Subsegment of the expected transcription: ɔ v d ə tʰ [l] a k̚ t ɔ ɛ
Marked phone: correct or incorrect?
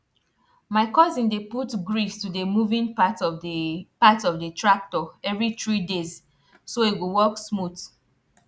incorrect